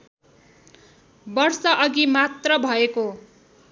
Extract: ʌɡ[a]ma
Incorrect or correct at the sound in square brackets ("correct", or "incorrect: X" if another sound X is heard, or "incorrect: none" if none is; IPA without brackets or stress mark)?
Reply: incorrect: i